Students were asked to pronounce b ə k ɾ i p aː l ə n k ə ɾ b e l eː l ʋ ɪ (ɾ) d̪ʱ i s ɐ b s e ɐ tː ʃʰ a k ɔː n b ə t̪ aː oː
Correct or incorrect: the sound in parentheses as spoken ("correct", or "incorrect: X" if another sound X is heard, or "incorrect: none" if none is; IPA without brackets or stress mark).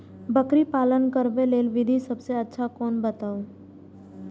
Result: incorrect: none